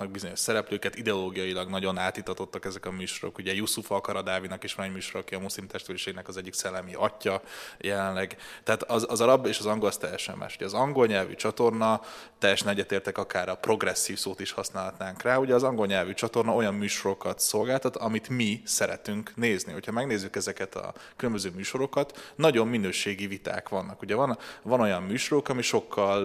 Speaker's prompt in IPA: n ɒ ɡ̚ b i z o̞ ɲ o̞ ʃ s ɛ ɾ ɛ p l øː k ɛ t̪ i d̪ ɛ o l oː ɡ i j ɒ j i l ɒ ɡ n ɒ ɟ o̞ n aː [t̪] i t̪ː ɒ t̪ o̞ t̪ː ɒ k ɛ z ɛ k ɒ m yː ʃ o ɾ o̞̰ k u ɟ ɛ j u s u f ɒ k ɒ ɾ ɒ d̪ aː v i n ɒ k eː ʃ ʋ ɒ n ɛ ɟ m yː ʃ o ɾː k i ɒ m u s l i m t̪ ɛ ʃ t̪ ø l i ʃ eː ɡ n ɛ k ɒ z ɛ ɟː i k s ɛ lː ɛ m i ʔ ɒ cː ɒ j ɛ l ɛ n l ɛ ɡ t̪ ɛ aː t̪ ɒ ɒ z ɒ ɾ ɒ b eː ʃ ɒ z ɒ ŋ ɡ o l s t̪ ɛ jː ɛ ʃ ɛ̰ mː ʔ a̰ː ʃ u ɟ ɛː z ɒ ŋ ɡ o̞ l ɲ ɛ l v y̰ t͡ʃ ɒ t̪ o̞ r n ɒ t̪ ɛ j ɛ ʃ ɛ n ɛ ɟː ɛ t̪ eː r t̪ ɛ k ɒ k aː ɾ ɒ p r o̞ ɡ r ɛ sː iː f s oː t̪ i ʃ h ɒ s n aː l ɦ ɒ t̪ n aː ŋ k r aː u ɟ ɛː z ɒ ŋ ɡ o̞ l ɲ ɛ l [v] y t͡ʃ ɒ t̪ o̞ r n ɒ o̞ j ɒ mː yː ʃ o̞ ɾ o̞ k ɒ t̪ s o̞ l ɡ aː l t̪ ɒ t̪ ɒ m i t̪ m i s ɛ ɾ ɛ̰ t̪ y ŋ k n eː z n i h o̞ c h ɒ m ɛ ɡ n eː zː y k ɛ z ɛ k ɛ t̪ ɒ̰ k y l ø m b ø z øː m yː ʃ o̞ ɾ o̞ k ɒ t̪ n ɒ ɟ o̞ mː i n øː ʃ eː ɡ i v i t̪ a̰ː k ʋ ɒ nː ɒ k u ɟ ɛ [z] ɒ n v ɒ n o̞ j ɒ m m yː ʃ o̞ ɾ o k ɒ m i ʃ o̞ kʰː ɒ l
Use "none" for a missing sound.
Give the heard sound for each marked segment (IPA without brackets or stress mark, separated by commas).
t̪, v, v